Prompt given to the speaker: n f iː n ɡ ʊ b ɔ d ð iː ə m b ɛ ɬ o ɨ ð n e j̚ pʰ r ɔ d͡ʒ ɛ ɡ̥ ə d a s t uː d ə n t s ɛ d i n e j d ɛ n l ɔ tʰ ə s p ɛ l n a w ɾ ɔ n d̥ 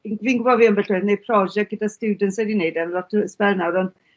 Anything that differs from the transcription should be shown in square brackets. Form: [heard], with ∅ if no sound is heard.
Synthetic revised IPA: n [v] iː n ɡ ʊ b ɔ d [v] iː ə m b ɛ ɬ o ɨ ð n e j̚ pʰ r ɔ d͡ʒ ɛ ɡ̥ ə d a s t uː d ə n t s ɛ d i n e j d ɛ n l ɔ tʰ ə s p ɛ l n a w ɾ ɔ n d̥